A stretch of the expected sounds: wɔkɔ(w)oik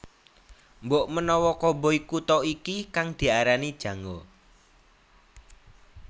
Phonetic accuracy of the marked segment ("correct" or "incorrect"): incorrect